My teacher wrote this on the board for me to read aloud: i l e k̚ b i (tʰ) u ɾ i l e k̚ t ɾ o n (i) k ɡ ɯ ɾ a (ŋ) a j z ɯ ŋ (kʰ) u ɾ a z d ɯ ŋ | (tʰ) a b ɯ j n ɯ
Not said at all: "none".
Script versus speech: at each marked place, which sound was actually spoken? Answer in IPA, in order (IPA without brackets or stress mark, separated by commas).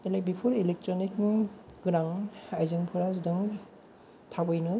pʰ, i, ŋ, pʰ, tʰ